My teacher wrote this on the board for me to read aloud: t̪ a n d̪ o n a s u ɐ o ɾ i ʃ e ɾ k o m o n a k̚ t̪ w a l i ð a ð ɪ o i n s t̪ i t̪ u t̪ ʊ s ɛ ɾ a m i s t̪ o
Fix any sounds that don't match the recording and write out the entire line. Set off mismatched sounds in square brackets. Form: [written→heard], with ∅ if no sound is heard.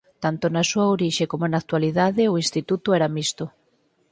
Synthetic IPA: t̪ a n [d̪→t̪] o n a s u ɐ o ɾ i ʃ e [ɾ→∅] k o m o n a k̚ t̪ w a l i ð a ð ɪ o i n s t̪ i t̪ u t̪ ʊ [s→∅] ɛ ɾ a m i s t̪ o

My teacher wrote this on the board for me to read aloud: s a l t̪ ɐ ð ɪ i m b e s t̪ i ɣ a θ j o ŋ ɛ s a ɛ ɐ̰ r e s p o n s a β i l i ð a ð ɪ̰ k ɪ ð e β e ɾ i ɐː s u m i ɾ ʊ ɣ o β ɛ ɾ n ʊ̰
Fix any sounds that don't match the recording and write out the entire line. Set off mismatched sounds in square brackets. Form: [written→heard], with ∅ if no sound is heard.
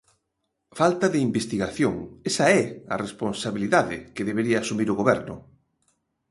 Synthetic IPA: [s→f] a l t̪ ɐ ð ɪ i m b e s t̪ i ɣ a θ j o ŋ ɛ s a ɛ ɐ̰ r e s p o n s a β i l i ð a ð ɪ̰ k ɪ ð e β e ɾ i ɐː s u m i ɾ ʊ ɣ o β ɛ ɾ n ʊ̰

